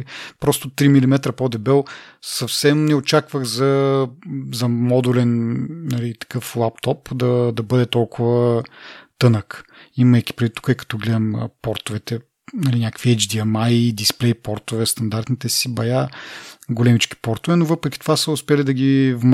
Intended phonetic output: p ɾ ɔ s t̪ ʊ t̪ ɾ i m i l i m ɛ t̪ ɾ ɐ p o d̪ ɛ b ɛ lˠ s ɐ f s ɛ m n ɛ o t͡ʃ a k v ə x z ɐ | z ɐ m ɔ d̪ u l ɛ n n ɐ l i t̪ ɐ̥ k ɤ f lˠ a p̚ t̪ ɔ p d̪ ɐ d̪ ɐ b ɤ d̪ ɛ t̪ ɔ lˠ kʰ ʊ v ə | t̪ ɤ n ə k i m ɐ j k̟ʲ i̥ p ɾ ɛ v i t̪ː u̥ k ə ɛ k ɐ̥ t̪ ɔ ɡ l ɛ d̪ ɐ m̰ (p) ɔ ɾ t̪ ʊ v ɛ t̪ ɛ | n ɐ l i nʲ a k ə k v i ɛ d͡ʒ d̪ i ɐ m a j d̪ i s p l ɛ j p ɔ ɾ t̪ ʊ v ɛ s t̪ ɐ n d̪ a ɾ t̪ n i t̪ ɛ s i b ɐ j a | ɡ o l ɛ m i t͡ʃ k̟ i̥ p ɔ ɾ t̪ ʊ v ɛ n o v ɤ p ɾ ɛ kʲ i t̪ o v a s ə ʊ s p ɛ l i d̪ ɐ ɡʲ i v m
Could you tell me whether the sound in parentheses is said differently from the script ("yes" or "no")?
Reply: no